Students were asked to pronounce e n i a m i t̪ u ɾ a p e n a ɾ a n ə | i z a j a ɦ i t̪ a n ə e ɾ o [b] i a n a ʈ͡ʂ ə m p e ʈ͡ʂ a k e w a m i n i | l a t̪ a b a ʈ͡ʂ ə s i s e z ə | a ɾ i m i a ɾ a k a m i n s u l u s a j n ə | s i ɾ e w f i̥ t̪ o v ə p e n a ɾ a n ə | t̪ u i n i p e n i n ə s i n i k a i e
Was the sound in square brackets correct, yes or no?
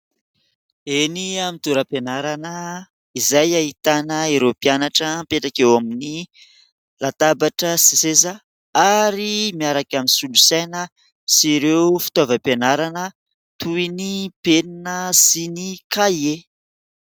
no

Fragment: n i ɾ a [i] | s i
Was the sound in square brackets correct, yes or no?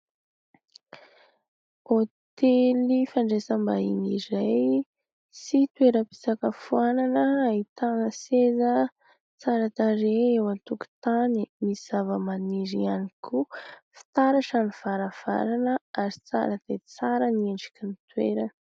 no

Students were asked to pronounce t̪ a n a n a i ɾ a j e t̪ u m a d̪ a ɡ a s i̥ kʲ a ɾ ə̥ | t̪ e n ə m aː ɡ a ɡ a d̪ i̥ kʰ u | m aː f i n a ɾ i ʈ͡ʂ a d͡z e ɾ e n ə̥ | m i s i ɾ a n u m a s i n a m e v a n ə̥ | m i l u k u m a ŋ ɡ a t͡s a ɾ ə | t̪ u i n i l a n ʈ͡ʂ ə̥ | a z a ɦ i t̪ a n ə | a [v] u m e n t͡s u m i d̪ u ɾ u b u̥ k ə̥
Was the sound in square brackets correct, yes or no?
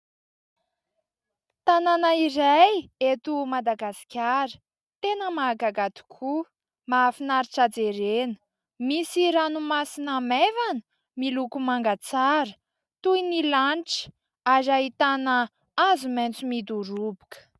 no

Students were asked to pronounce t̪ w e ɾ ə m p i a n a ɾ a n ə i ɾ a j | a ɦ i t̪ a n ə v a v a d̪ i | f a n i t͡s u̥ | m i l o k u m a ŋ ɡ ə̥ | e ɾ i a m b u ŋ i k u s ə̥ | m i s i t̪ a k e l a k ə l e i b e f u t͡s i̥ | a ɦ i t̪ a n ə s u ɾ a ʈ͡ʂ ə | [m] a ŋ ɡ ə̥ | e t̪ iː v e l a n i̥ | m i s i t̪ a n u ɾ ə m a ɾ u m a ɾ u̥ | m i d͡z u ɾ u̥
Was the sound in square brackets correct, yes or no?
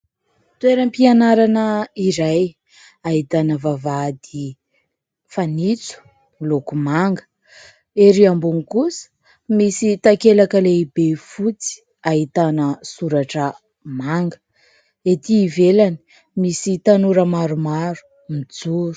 yes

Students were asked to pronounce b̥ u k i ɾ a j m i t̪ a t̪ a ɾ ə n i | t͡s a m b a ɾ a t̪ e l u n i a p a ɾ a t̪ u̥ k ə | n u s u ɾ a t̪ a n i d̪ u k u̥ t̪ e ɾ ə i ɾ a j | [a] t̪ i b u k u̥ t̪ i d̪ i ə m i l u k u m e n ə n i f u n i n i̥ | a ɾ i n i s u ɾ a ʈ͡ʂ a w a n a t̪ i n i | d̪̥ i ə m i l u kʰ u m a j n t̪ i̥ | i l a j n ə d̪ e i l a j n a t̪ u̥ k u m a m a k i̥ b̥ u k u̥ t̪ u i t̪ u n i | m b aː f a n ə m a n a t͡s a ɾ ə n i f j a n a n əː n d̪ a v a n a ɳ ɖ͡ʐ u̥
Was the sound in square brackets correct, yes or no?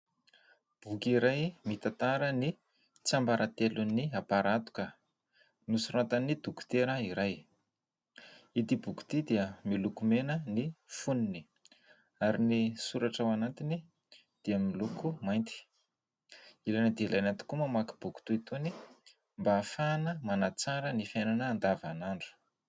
no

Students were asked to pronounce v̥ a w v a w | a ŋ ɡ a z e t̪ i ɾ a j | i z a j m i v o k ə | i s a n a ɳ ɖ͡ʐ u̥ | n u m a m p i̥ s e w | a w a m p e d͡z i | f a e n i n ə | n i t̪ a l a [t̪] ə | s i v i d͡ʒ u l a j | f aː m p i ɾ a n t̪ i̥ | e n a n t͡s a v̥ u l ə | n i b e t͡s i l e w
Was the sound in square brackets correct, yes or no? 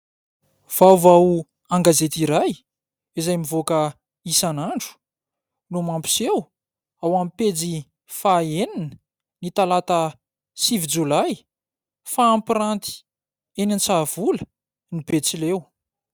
yes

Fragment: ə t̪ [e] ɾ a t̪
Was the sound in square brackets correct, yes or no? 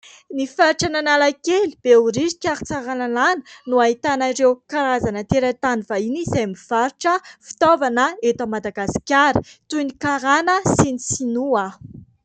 yes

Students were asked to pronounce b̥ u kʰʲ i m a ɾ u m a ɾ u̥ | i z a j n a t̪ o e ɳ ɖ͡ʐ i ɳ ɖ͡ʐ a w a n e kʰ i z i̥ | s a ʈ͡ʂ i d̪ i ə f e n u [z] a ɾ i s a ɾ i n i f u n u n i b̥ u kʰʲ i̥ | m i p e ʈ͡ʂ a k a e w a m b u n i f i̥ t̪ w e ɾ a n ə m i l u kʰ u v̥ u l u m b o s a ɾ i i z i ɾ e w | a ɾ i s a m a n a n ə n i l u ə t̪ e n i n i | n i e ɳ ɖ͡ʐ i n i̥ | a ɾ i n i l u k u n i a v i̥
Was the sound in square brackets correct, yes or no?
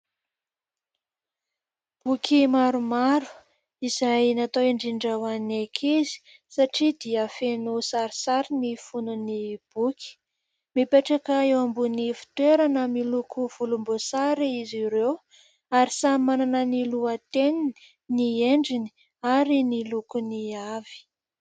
no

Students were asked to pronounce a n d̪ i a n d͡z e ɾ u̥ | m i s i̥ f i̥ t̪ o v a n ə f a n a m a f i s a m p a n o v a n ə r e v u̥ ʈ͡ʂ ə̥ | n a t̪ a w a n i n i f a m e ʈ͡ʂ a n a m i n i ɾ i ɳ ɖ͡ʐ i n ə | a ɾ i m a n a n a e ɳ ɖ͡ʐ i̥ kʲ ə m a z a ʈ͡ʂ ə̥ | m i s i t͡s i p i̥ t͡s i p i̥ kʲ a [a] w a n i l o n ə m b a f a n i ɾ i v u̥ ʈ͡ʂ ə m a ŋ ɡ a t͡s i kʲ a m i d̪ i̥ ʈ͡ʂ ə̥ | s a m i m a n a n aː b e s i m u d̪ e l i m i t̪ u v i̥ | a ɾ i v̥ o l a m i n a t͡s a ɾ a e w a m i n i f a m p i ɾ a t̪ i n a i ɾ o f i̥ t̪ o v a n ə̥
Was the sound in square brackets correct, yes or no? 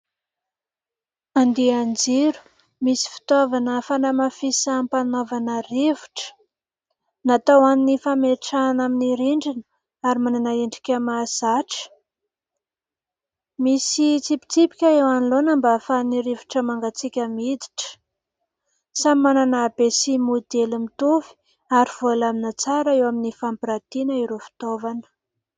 no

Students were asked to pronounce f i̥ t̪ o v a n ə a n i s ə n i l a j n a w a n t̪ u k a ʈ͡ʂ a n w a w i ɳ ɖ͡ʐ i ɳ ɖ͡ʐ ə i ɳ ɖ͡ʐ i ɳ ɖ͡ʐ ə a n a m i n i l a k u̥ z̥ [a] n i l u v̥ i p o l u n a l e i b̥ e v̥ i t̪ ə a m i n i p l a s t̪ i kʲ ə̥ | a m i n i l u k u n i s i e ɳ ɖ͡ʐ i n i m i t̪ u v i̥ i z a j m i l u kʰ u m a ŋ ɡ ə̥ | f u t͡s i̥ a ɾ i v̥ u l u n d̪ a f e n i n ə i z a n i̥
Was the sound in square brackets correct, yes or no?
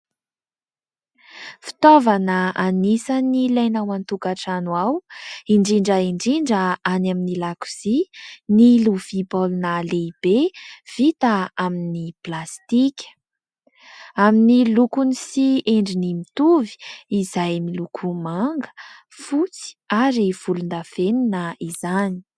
no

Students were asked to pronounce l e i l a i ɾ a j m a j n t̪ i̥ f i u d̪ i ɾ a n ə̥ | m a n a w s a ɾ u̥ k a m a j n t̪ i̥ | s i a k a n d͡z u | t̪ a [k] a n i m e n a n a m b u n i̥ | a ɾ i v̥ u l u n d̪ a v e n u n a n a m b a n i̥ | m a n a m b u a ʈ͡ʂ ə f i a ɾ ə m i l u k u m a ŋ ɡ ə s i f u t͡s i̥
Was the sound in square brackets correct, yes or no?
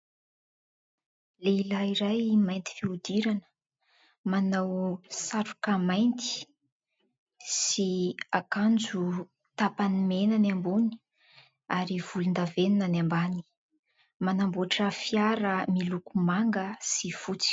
no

